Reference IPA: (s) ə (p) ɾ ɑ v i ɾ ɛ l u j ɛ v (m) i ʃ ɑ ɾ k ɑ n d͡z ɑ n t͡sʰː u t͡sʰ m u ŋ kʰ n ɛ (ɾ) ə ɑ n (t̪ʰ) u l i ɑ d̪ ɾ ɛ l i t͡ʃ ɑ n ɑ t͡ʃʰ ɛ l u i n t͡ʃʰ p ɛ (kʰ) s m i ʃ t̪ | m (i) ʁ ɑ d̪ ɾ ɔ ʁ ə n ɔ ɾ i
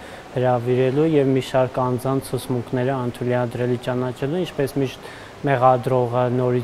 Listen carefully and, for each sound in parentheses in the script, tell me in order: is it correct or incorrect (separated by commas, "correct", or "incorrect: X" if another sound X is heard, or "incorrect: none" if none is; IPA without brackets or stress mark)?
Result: incorrect: h, incorrect: none, correct, correct, correct, incorrect: none, incorrect: ɛ